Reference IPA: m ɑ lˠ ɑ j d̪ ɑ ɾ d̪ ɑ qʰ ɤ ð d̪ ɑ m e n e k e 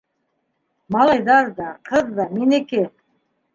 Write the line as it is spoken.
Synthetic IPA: m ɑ lˠ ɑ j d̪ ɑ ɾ d̪ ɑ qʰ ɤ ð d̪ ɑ m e n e k e